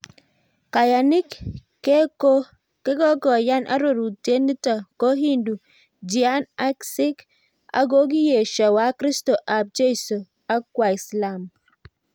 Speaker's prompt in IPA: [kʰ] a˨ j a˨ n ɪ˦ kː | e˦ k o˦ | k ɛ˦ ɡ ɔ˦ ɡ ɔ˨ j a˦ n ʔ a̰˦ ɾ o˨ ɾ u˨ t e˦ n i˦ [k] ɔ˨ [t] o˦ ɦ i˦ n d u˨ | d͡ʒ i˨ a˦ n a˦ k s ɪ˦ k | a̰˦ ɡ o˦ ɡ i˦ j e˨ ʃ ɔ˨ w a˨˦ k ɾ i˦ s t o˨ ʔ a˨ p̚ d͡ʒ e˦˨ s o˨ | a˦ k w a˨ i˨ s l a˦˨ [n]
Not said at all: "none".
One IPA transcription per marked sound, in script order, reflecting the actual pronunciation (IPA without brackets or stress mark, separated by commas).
k, t, k, m